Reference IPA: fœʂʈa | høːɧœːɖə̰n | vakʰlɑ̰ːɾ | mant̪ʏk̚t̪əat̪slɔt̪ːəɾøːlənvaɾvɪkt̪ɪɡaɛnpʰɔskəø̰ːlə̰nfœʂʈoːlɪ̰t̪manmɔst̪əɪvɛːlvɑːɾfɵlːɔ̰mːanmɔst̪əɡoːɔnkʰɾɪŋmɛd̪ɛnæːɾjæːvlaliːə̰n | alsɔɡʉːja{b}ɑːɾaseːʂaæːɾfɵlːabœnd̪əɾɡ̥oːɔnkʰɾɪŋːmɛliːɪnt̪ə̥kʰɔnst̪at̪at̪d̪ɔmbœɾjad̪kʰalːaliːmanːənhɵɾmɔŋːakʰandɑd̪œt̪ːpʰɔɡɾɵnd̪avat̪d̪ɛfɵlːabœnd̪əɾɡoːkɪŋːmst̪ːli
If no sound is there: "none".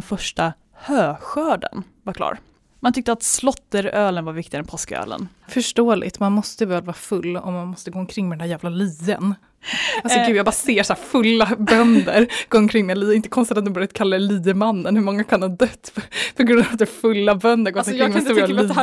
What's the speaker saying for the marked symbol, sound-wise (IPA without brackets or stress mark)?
b